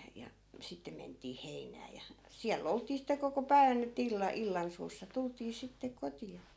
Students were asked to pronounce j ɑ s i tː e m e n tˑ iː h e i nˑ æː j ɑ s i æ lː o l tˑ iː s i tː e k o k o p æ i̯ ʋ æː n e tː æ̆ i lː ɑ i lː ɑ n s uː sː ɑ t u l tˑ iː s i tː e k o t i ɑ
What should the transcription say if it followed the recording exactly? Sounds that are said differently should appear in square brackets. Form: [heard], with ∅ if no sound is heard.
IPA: j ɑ s i tː e m e n tˑ iː h e i nˑ æː j ɑ s i æ lː o l tˑ iː s i tː e k o k o p æ i̯ ʋ [æ] n e tː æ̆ i lː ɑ i lː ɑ n s uː sː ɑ t u l tˑ iː s i tː e k o t i ɑ